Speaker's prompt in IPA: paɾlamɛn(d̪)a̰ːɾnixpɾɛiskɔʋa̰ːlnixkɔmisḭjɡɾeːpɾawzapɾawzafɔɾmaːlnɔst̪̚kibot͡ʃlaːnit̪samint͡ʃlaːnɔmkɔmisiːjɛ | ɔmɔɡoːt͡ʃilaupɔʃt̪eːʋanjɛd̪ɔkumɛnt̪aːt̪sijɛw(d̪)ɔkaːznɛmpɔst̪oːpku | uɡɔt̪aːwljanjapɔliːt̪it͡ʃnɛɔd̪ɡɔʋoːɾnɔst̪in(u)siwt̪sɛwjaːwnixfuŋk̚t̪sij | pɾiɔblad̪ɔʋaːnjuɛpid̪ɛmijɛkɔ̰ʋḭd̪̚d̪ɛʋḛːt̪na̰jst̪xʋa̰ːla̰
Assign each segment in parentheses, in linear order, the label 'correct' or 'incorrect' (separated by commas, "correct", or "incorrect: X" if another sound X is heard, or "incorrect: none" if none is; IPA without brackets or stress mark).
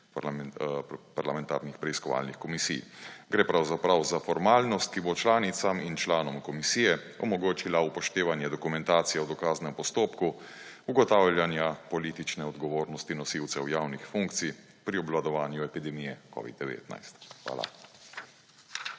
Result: incorrect: t̪, correct, incorrect: ɔ